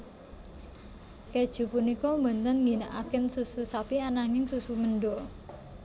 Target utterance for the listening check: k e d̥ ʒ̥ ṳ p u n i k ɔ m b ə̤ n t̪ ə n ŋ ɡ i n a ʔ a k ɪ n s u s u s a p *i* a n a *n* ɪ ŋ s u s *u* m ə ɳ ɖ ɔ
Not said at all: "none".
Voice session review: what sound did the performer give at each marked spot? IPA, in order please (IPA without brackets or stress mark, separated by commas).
i, ŋ, u